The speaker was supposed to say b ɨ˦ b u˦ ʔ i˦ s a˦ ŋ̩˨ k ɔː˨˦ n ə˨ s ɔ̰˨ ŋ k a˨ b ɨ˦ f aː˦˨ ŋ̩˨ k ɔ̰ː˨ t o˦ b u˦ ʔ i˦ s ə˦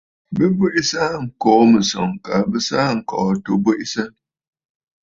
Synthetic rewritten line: b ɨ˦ b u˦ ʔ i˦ s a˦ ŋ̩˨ k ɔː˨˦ m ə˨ s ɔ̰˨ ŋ k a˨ b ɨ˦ s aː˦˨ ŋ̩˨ k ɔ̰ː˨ t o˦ b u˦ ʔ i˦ s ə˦